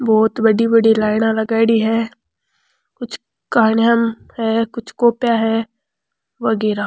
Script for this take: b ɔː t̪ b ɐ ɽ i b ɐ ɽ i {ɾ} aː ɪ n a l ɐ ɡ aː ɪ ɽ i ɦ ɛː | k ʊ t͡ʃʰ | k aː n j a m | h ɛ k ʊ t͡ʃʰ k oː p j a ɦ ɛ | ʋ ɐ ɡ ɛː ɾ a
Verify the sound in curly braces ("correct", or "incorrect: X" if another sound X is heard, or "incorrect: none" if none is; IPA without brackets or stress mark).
incorrect: l